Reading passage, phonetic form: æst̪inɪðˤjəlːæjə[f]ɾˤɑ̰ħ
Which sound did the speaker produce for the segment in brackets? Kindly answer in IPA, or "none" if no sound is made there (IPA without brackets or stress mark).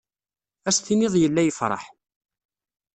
f